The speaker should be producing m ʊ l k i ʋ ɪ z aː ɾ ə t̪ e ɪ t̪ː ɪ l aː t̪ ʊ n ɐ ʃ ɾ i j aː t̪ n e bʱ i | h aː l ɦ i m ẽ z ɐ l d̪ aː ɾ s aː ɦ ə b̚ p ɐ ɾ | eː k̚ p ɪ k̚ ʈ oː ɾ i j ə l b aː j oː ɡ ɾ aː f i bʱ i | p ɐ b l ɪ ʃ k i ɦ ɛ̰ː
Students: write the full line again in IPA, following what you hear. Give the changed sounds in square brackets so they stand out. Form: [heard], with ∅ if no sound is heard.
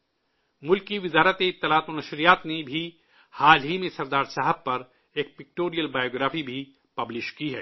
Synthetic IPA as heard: m ʊ l k i ʋ ɪ z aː ɾ ə t̪ e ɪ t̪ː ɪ l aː t̪ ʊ n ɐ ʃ ɾ i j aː t̪ n e bʱ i | h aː l ɦ i m ẽ [s] ɐ [ɾ] d̪ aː ɾ s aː ɦ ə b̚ p ɐ ɾ | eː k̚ p ɪ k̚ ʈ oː ɾ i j ə l b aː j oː ɡ ɾ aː f i bʱ i | p ɐ b l ɪ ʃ k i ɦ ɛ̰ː